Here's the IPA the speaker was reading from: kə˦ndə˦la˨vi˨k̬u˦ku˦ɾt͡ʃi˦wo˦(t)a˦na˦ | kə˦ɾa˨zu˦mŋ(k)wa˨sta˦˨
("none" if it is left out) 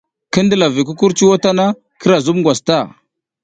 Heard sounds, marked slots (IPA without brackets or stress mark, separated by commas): t, ɡ